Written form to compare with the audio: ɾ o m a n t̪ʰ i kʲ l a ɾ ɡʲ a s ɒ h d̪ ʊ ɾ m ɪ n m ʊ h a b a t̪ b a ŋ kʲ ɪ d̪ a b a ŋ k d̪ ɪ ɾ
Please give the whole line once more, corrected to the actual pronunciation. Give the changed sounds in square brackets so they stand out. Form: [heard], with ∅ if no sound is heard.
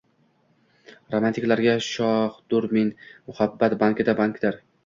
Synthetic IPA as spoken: ɾ o m a n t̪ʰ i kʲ l a ɾ ɡʲ a [ʃ] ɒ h d̪ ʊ ɾ m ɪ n m ʊ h a [bː] a t̪ b a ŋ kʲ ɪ d̪ a b a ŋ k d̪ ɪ ɾ

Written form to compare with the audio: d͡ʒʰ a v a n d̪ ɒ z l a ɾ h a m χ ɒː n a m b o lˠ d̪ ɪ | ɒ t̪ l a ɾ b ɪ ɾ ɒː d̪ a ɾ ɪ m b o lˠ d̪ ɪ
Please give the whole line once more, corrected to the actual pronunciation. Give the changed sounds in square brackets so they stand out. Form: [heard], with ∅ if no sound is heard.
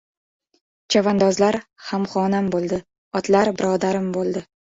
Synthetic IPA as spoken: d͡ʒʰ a v a n d̪ ɒ z l a ɾ h a m χ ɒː n a m b o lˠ d̪ ɪ | ɒ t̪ l a ɾ b ɪ ɾ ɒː d̪ a ɾ ɪ m b o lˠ d̪ ɪ

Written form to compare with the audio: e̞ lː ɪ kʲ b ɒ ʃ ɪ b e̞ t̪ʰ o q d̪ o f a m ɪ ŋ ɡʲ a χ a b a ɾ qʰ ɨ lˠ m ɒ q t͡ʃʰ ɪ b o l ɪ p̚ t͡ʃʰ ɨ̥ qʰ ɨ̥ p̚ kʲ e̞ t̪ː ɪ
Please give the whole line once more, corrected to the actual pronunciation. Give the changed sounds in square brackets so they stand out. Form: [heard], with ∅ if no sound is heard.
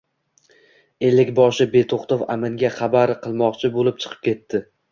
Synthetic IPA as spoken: e̞ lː ɪ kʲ b ɒ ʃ ɪ b e̞ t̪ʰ o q [t̪] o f a m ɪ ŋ ɡʲ a χ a b a ɾ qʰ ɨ lˠ m ɒ q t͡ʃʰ ɪ b o l ɪ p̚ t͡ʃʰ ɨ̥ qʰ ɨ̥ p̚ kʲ e̞ t̪ː ɪ

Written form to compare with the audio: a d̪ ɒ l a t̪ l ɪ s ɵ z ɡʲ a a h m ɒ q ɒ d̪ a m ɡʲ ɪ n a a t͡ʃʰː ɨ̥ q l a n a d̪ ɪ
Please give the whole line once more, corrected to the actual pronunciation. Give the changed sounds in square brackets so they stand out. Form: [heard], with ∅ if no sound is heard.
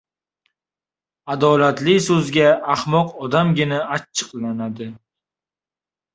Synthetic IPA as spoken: a d̪ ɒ l a t̪ l ɪ s ɵ z ɡʲ a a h m ɒ q ɒ d̪ a m ɡʲ ɪ n a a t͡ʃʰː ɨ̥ q l a n a d̪ ɪ

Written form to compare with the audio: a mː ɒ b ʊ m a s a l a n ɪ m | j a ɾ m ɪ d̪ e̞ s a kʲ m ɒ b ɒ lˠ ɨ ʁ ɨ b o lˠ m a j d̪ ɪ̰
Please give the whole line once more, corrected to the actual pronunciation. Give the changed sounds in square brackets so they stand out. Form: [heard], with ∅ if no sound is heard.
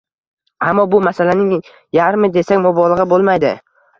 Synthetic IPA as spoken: a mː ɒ b ʊ m a s a l a n ɪ [ŋ] | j a ɾ m ɪ d̪ e̞ s a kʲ m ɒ b ɒ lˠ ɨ ʁ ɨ b o lˠ m a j d̪ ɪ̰

